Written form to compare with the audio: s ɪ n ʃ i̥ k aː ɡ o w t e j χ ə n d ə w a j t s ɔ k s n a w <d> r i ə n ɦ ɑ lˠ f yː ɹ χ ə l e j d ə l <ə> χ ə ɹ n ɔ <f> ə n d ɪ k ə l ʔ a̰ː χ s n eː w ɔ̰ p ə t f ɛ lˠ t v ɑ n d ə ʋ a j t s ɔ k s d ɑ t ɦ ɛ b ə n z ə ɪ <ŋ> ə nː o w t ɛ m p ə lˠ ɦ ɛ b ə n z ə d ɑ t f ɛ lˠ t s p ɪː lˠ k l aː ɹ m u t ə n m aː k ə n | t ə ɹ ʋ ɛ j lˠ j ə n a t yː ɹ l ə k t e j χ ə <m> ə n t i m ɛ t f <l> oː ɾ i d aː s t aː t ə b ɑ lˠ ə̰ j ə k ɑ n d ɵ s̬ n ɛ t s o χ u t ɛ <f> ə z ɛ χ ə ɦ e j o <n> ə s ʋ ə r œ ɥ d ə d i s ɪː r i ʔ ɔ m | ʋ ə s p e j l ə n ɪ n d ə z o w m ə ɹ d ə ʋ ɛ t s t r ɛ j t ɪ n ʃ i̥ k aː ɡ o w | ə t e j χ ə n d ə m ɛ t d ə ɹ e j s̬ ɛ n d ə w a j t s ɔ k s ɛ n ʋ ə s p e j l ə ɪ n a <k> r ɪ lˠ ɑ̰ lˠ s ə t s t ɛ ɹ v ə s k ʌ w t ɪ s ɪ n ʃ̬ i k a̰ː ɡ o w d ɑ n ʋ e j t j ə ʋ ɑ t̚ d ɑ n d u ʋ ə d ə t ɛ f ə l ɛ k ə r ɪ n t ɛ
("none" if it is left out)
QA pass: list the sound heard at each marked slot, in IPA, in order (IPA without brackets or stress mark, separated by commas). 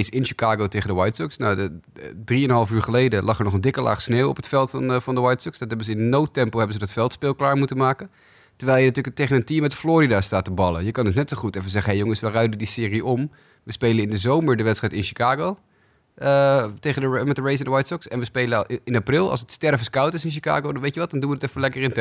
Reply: d, ɑ, χ, n, n, l, f, ŋ, p